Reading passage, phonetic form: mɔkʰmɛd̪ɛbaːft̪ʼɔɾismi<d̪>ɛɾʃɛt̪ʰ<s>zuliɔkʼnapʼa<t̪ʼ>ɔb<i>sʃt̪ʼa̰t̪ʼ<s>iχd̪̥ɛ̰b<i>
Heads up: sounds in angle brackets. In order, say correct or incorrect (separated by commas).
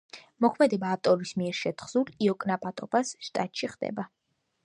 incorrect, incorrect, correct, incorrect, incorrect, incorrect